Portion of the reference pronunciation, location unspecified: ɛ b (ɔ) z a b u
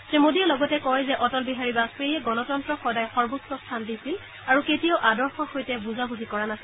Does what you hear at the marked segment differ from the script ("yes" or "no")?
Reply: yes